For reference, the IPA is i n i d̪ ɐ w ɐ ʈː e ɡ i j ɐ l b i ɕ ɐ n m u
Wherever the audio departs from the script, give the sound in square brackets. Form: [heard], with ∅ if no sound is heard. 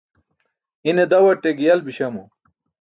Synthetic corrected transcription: i n [e] d̪ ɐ w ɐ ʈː e ɡ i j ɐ l b i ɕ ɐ [∅] m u